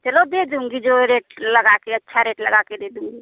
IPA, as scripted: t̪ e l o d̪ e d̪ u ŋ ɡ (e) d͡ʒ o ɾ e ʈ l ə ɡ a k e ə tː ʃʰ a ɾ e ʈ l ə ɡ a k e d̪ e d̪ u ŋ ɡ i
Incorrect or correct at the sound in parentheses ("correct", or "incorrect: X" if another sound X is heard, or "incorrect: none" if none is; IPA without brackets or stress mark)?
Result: incorrect: i